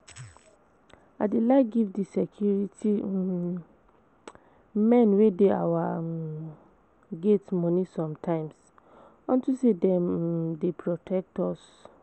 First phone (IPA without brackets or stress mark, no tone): a